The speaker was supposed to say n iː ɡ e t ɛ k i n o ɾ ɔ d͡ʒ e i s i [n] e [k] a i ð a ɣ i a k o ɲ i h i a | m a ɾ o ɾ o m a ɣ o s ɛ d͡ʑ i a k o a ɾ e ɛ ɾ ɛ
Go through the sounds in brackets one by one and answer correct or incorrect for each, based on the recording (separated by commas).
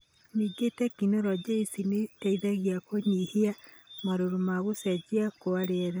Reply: correct, incorrect